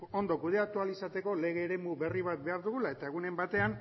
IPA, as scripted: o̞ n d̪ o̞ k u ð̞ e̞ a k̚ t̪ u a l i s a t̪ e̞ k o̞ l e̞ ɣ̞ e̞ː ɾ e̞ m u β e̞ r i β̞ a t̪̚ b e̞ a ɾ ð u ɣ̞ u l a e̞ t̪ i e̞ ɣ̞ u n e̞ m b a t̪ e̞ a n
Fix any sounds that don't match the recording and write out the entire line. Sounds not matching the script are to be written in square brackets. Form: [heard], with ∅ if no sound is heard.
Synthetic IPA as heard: o̞ n d̪ o̞ k u ð̞ e̞ a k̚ t̪ u a l i s a t̪ e̞ k o̞ l e̞ ɣ̞ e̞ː ɾ e̞ m u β e̞ r i β̞ a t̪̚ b e̞ a ɾ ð u ɣ̞ u l a e̞ t̪ [a] e̞ ɣ̞ u n e̞ m b a t̪ e̞ a n